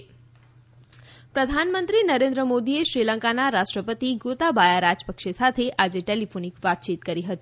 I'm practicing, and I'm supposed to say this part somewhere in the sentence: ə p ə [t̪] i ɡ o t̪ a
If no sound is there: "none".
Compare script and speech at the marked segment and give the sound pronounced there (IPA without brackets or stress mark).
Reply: t̪